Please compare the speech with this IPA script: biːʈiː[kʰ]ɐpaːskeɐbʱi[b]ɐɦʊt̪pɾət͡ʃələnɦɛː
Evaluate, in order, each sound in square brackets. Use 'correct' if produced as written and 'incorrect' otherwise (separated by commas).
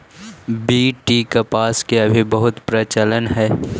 incorrect, correct